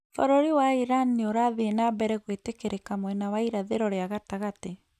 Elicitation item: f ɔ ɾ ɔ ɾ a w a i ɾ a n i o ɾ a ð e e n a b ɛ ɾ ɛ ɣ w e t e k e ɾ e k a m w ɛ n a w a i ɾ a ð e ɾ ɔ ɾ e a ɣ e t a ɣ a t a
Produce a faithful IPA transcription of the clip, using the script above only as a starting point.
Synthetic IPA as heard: f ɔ ɾ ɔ ɾ i w a i ɾ a n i o ɾ a ð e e n a b ɛ ɾ ɛ ɣ w e t e k e ɾ e k a m w ɛ n a w a i ɾ a ð e ɾ ɔ ɾ e a ɣ a t a ɣ a t e